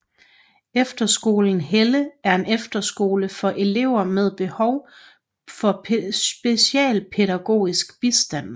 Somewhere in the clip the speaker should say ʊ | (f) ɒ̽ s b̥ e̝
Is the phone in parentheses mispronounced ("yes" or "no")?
no